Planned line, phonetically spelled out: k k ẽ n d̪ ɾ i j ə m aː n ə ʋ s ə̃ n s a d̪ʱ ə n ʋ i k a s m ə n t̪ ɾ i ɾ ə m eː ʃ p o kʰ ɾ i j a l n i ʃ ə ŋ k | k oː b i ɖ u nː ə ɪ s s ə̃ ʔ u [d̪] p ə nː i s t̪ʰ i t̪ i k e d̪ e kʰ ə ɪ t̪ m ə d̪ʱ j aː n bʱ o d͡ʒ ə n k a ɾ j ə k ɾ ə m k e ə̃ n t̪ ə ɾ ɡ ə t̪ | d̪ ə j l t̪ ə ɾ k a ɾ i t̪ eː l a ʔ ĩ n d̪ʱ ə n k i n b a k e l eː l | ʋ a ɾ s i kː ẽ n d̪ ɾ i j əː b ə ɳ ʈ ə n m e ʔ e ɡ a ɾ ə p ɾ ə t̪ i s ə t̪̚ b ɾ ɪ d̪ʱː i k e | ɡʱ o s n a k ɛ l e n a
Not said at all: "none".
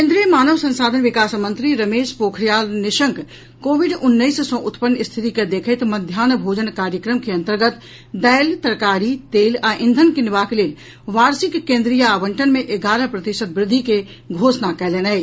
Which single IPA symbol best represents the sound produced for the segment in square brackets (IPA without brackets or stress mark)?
t̪